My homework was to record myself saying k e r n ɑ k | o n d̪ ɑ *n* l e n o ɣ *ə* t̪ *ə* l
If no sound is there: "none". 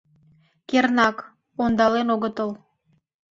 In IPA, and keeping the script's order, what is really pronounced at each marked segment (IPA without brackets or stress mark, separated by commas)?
none, ə, ə